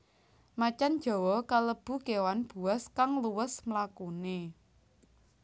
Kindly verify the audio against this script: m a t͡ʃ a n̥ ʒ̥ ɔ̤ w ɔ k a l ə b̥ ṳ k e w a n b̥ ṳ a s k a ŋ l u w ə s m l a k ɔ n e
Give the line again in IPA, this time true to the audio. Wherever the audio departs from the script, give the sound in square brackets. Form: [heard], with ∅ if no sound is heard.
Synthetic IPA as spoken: m a t͡ʃ a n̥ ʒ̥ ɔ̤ w ɔ k a l ə b̥ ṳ k e w a n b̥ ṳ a s k a ŋ l u w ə s m l a k [u] n e